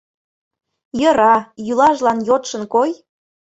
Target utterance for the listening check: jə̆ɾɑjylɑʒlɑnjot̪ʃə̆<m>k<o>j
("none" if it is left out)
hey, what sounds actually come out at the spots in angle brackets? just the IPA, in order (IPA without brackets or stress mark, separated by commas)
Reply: n, o